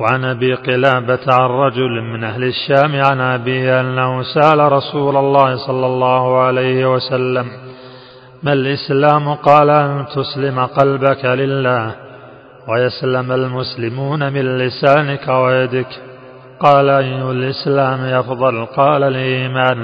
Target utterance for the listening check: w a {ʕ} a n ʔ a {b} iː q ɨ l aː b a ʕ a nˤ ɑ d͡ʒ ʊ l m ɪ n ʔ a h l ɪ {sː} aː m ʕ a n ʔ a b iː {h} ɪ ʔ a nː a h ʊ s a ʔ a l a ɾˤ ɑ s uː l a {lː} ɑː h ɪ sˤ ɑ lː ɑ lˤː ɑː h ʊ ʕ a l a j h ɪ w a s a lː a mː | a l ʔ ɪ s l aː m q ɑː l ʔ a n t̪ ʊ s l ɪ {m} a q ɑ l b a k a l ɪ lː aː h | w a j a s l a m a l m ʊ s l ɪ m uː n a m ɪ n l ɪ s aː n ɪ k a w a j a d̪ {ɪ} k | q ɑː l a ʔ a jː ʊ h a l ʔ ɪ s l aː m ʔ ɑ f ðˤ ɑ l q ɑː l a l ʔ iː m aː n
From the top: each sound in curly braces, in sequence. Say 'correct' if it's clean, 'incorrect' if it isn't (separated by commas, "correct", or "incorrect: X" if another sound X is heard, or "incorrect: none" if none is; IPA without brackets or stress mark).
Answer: correct, correct, incorrect: ʃː, correct, correct, correct, correct